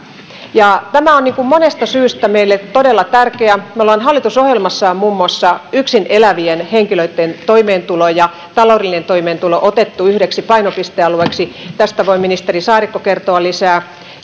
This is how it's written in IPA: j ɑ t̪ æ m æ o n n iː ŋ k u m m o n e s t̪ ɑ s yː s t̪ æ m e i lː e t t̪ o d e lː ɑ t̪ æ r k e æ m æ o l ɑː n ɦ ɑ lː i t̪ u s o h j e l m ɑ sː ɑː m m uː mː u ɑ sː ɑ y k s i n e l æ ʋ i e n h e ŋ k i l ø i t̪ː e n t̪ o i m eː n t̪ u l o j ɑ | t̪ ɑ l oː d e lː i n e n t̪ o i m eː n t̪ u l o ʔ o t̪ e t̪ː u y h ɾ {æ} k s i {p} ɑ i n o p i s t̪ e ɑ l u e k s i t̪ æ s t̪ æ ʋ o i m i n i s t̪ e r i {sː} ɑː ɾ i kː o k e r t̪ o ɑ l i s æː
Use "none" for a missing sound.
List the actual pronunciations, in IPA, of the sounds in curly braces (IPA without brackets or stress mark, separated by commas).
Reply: e, p, s